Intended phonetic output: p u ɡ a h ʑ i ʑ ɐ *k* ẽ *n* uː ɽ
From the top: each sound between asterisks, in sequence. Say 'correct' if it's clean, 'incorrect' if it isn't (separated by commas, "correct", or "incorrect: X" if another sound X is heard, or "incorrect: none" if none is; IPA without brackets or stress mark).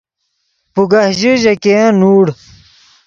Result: correct, correct